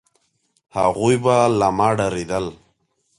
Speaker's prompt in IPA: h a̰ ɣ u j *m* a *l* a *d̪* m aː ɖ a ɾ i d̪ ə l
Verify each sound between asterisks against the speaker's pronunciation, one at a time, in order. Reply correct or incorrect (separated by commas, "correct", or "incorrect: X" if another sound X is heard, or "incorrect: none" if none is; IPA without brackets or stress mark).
incorrect: b, correct, incorrect: none